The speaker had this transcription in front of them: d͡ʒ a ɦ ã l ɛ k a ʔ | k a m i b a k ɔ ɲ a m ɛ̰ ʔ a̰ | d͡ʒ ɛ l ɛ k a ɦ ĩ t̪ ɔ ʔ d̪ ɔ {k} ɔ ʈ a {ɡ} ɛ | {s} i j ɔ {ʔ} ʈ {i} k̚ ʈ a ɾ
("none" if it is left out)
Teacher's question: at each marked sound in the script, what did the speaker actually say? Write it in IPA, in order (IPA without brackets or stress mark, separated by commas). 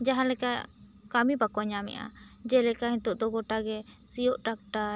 ɡ, ɡ, s, ʔ, a